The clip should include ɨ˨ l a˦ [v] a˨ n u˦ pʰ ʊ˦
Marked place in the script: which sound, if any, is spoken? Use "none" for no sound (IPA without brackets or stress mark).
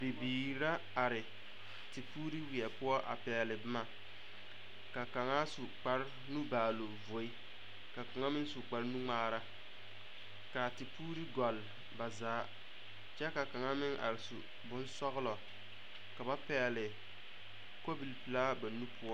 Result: b